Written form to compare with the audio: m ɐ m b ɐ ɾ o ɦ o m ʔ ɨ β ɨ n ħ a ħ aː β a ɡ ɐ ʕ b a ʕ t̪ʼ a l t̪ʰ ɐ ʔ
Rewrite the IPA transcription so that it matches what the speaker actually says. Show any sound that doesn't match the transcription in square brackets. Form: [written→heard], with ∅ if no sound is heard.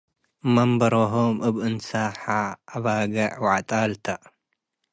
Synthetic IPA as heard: m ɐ m b ɐ ɾ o ɦ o m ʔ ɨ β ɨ n [ħ→s] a ħ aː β a ɡ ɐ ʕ [b→w] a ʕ t̪ʼ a l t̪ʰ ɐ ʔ